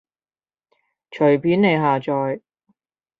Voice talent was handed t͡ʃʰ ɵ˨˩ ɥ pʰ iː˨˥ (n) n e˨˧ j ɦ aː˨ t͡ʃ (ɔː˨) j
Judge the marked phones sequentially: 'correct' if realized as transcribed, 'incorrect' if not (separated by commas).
correct, correct